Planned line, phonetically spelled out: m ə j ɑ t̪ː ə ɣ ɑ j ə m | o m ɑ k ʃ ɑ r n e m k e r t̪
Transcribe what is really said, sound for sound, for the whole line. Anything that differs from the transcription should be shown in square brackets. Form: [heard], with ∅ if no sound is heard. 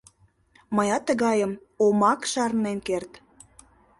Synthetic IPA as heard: m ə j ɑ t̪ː ə ɣ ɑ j ə m | o m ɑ k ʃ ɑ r n e [n] k e r t̪

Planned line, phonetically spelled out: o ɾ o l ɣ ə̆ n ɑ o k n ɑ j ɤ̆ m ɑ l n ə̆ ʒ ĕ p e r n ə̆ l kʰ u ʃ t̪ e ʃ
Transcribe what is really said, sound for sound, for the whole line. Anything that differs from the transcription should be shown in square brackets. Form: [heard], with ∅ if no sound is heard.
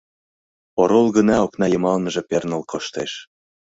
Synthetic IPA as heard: o ɾ o l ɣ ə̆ n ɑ o k n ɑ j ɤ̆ m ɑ l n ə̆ ʒ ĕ p e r n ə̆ l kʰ [o] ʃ t̪ e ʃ

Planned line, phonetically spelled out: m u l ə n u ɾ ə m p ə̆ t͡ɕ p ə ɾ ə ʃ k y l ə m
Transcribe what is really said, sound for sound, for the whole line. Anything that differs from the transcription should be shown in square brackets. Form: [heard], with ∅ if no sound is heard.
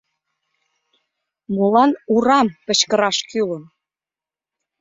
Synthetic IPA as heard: m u l [ɑ] n u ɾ [ɑ] m p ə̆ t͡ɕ [k] ə ɾ [ɑ] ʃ k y l ə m

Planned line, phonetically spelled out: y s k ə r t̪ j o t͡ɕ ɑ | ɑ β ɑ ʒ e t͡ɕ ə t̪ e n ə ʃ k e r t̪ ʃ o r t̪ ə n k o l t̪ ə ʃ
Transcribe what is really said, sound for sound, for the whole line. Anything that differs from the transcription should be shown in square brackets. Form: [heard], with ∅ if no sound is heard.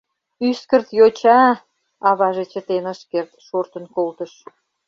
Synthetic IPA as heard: y s k ə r t̪ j o t͡ɕ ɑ | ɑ β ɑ ʒ e t͡ɕ ə t̪ e n ə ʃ k e r t̪ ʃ o r t̪ ə n k o l t̪ ə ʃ

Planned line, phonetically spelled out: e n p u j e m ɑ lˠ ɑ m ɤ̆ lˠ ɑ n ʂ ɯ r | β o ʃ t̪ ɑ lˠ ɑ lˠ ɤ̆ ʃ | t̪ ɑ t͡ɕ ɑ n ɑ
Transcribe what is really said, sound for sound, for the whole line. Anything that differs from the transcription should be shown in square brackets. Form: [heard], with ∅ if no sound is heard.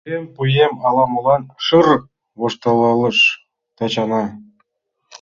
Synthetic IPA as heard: e [m] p u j e m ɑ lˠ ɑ m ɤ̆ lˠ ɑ n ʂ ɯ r | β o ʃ t̪ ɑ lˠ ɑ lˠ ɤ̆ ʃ | t̪ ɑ t͡ɕ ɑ n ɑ

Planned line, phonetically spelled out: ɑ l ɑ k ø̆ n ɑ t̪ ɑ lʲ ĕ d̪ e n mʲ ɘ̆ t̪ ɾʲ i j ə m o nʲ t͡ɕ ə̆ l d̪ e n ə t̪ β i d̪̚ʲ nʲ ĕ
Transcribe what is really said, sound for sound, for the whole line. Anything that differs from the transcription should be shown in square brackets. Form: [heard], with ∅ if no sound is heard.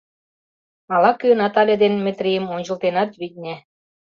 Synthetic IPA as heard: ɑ l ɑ k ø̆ n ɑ t̪ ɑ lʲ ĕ d̪ e n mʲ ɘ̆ t̪ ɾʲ i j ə m o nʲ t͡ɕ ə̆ l [t̪] e n [ɑ] t̪ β i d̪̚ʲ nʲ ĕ

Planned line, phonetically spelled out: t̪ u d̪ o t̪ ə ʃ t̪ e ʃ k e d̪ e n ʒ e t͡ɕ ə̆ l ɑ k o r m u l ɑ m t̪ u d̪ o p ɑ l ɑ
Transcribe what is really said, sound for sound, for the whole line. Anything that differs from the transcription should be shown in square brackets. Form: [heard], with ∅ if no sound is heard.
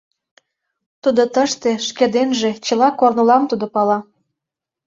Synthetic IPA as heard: t̪ u d̪ o t̪ ə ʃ t̪ e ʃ k e d̪ e n ʒ e t͡ɕ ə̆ l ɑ k o r [n] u l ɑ m t̪ u d̪ o p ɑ l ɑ

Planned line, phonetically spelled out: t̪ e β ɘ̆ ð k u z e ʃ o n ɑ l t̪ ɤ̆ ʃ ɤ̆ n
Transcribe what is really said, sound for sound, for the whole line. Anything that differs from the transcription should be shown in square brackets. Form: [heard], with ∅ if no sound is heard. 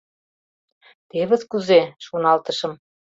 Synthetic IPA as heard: t̪ e β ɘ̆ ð k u z e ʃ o n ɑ l t̪ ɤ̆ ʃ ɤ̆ [m]

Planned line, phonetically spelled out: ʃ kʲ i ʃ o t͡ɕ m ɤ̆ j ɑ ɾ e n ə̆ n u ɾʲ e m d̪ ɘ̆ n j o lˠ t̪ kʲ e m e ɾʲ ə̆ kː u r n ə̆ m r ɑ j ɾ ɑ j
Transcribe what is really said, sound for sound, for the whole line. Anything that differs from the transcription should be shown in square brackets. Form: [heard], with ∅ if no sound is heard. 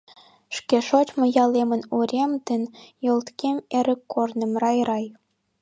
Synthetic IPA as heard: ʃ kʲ [e] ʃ o t͡ɕ m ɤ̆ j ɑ [l] e [m] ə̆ n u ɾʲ e m d̪ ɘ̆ n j o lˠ t̪ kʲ e m e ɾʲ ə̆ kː [o] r n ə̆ m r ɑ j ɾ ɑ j

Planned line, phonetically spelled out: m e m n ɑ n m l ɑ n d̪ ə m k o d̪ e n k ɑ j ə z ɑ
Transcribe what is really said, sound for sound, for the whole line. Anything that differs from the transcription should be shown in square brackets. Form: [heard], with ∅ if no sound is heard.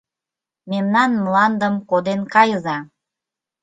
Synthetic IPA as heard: m e m n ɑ n m l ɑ n d̪ ə m k o d̪ e n k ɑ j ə z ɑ

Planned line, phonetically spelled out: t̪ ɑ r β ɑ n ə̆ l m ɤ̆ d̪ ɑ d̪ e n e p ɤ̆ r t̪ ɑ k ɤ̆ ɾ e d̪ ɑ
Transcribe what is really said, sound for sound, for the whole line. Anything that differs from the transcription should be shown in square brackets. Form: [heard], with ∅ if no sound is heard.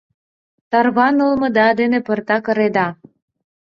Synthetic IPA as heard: t̪ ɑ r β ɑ n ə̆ l m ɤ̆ d̪ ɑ d̪ e n e p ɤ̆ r t̪ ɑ k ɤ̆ ɾ e d̪ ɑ

